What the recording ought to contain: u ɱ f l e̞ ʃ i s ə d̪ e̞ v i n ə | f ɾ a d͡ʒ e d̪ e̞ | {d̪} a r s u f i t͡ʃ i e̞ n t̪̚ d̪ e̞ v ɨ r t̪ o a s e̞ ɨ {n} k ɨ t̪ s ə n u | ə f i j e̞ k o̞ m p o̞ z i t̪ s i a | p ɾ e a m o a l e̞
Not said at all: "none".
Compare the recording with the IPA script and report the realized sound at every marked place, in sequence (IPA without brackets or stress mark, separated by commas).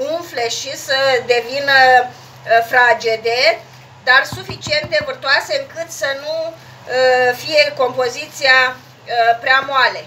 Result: d̪, ŋ